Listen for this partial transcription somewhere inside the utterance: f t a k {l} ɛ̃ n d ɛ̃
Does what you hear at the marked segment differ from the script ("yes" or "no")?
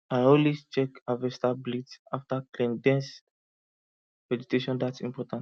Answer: no